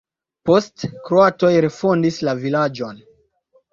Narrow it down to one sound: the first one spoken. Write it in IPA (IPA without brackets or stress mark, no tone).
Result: p